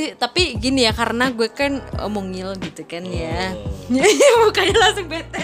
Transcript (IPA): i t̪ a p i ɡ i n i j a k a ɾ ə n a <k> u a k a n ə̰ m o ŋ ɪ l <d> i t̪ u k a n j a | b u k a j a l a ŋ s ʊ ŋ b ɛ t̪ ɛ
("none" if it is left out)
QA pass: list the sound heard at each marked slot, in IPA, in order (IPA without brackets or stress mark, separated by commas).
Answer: ɡ, ɡ